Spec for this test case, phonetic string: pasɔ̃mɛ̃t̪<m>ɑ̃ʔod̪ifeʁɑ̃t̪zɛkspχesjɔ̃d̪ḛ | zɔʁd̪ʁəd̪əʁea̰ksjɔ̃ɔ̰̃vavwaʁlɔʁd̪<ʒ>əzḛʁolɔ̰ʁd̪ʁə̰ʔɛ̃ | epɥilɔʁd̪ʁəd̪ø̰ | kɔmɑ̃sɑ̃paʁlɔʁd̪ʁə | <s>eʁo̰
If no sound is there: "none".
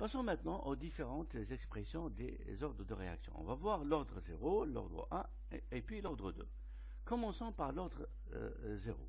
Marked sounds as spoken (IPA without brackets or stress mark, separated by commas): n, ʁ, z